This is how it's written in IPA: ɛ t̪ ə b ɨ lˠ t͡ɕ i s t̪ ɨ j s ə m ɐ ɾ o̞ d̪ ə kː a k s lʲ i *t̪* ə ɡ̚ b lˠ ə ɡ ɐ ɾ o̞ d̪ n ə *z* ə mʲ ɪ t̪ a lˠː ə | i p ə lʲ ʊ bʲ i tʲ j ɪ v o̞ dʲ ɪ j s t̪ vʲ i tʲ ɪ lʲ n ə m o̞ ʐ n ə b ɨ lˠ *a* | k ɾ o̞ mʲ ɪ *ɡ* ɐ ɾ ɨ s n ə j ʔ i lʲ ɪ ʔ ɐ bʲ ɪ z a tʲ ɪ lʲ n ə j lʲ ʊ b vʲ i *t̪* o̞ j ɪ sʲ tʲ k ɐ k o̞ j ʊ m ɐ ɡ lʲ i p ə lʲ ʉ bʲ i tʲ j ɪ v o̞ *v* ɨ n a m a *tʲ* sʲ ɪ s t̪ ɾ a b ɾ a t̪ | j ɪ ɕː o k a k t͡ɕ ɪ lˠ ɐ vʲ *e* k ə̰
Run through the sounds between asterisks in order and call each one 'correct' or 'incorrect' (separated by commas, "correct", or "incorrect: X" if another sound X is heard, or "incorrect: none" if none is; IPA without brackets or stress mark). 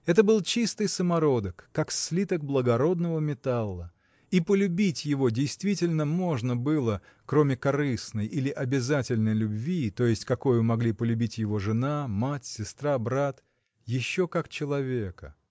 correct, incorrect: v, incorrect: ə, incorrect: k, correct, incorrect: ʐ, correct, correct